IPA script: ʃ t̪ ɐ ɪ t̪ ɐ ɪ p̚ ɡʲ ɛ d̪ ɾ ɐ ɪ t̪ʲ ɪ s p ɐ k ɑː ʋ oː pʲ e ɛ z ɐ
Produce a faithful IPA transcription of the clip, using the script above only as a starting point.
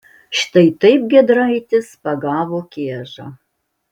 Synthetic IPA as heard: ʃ t̪ ɐ ɪ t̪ ɐ ɪ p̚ ɡʲ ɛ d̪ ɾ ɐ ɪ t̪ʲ ɪ s p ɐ ɡ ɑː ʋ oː kʲ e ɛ ʒ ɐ